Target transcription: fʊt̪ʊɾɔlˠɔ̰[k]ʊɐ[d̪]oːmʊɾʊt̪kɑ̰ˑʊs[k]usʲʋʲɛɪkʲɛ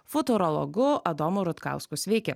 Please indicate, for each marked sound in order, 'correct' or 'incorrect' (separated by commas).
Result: incorrect, correct, correct